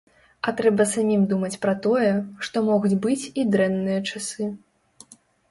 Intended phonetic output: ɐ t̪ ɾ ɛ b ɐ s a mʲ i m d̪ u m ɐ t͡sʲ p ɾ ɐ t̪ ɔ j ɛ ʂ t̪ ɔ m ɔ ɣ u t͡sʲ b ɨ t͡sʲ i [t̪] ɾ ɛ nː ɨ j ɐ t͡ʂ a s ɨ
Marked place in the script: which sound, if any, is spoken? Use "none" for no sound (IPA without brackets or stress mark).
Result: d̪